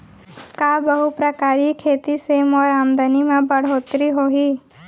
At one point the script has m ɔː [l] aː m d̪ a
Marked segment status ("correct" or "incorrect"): incorrect